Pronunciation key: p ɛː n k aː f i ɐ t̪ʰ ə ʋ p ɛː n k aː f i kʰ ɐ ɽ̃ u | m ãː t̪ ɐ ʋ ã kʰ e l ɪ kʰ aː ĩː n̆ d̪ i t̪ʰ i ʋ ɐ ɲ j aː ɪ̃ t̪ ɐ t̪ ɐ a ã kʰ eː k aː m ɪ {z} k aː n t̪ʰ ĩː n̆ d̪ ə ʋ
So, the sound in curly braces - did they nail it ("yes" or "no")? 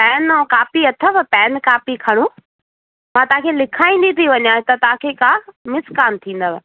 no